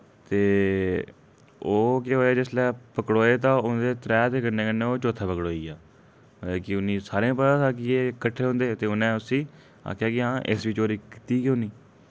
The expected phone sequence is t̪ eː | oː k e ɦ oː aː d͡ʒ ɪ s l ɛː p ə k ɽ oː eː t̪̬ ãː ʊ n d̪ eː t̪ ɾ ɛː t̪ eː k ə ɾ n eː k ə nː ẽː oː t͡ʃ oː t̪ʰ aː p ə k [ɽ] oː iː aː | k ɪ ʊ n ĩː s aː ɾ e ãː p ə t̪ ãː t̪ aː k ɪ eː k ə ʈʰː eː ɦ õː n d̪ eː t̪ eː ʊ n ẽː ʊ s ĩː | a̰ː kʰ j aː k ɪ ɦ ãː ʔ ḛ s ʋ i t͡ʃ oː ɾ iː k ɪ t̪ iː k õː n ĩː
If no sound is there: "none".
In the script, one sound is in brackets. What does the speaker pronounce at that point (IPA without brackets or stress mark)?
ɽ